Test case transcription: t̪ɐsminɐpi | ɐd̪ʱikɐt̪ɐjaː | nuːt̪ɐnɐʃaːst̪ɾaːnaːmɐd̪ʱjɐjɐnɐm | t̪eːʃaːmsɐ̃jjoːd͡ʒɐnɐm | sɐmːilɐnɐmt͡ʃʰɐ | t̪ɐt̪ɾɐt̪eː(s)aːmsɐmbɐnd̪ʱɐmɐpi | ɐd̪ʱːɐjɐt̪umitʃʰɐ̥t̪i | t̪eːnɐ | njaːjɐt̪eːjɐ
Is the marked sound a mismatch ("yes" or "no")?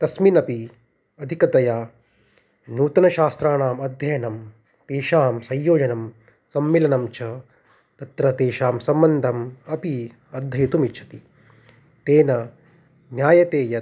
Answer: yes